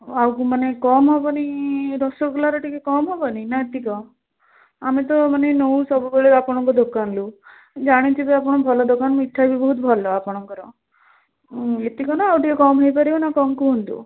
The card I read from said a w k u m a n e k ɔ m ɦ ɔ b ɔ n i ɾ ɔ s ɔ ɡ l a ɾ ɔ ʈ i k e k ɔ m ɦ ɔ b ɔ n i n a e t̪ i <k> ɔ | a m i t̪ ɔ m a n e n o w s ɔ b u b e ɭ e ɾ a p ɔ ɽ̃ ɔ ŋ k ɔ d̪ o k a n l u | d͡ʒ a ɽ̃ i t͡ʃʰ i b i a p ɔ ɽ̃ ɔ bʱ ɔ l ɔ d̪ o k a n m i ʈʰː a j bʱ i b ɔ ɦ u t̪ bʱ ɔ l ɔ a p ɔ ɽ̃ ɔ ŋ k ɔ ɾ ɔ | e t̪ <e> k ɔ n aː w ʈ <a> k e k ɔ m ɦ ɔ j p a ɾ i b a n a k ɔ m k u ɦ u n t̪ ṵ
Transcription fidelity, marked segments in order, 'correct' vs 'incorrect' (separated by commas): correct, incorrect, incorrect